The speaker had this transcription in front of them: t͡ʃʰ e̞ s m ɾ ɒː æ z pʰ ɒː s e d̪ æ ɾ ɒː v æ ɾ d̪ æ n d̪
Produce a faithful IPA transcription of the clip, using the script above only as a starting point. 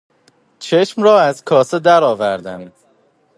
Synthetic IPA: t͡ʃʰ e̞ ʃ m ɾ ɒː æ z kʰ ɒː s e d̪ æ ɾ ɒː v æ ɾ d̪ æ n d̪